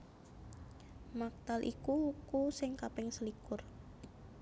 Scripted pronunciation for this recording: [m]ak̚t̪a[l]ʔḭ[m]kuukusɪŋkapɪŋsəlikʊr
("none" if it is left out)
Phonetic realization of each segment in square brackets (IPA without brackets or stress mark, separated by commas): m, l, none